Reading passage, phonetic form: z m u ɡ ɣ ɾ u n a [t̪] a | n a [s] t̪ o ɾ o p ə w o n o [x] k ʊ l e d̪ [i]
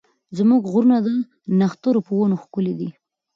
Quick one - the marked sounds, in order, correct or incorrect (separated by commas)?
incorrect, incorrect, correct, correct